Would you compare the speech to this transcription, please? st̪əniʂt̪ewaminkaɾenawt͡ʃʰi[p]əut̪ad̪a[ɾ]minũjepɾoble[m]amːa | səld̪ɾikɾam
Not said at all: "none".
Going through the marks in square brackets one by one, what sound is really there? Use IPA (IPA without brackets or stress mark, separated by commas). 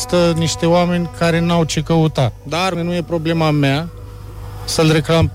k, ɾ, m